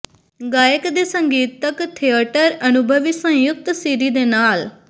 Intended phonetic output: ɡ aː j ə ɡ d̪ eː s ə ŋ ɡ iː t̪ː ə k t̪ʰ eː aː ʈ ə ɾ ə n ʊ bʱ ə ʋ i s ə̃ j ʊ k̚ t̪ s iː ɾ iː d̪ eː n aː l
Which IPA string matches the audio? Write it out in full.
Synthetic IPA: ɡ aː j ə k d̪ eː s ə ŋ ɡ iː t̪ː ə k t̪ʰ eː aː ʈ ə ɾ ə n ʊ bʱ ə ʋ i s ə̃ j ʊ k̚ t̪ s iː ɾ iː d̪ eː n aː l